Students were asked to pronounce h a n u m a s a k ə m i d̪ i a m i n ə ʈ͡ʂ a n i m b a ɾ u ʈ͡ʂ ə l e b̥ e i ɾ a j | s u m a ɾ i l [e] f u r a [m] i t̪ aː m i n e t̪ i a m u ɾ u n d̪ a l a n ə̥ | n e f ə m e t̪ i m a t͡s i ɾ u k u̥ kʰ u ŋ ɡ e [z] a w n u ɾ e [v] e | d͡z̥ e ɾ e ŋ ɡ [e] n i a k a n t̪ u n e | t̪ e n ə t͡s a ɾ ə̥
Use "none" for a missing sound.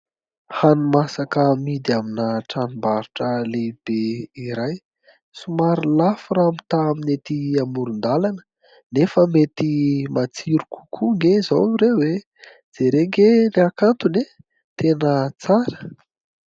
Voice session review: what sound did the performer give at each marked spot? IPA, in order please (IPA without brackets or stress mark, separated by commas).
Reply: a, m, z, w, e